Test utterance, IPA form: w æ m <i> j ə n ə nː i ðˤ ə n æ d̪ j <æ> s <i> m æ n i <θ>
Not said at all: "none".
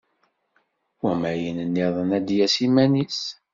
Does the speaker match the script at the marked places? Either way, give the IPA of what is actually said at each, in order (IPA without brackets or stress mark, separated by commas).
æ, æ, i, s